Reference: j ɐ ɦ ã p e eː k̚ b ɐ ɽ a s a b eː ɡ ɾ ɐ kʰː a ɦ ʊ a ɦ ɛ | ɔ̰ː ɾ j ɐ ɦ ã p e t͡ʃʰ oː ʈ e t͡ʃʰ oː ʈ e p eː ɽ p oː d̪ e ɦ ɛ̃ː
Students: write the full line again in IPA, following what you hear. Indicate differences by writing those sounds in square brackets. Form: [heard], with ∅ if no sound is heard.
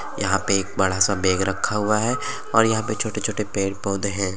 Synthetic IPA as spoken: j ɐ ɦ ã p e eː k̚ b ɐ ɽ a s a b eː ɡ ɾ ɐ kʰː a ɦ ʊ a ɦ ɛ | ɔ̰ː ɾ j ɐ ɦ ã p e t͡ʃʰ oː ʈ e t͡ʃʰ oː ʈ e p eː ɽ p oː d̪ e ɦ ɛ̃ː